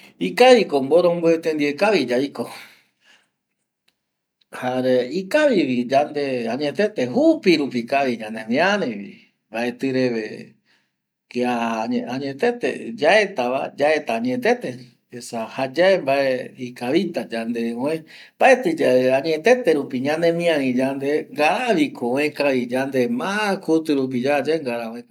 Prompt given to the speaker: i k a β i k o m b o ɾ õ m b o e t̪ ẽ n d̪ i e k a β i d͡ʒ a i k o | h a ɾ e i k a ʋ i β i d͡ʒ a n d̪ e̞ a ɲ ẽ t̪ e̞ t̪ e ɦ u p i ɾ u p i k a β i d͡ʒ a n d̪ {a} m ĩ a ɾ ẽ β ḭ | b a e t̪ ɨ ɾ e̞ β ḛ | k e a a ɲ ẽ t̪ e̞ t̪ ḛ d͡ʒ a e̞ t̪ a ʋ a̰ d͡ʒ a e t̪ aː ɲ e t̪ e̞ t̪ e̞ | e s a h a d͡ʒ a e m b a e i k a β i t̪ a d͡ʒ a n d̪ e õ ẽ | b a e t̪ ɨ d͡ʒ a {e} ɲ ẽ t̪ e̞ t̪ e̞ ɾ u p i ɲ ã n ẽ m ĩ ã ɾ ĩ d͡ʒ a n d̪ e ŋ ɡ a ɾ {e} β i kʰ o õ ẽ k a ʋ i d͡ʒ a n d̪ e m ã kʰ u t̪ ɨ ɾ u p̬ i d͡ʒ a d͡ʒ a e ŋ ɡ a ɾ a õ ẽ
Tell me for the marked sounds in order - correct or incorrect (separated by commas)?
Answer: incorrect, incorrect, incorrect